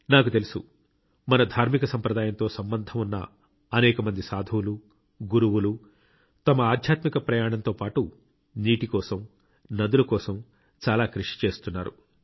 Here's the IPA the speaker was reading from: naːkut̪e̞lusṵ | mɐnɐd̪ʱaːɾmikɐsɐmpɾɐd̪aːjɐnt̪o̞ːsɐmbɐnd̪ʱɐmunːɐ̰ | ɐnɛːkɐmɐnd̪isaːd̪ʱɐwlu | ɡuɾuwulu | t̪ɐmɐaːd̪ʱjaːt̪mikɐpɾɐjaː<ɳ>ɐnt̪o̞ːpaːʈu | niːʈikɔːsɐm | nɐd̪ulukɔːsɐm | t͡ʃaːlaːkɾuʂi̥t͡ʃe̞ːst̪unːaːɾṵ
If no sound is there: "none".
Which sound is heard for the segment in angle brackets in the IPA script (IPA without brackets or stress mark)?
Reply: ɳ